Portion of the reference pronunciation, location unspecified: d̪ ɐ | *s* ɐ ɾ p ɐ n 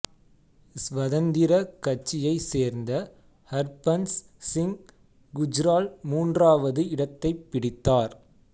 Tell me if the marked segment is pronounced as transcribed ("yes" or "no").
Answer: no